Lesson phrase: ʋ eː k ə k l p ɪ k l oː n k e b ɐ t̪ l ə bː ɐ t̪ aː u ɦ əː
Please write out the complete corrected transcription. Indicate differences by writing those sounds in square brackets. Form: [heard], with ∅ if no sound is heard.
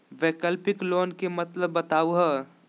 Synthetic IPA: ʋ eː k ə [∅] l p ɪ k l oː n k e [m] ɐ t̪ l ə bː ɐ t̪ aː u ɦ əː